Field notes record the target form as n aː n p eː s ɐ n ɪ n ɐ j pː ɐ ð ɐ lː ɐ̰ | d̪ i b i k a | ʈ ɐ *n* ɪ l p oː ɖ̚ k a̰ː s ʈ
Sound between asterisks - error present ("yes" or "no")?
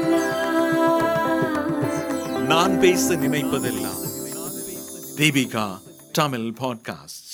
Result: yes